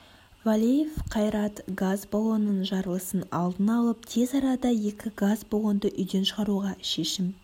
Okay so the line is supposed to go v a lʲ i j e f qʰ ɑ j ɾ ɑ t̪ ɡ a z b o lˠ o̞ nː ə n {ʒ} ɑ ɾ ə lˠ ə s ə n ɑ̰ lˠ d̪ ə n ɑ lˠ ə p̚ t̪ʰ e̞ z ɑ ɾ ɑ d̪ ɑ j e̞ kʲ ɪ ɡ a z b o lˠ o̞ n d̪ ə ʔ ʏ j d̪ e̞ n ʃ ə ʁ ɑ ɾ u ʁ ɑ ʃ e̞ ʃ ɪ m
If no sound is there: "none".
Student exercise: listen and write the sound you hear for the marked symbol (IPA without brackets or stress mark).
ʒ